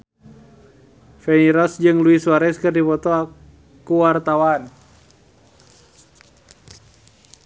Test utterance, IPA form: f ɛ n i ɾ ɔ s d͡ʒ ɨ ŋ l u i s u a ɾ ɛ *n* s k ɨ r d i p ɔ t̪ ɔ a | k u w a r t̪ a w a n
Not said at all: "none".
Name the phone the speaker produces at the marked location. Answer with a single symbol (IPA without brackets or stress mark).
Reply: none